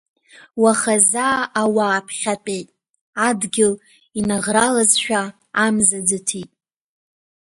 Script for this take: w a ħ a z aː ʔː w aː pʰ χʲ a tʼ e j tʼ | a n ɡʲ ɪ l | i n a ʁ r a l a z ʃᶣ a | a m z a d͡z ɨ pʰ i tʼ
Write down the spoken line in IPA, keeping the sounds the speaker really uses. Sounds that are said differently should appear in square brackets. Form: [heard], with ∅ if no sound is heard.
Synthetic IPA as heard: w a [χ] a z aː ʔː w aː pʰ χʲ a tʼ e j tʼ | a [d] ɡʲ ɪ l | i n a ʁ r a l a z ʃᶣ a | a m z a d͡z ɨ [tʰ] i tʼ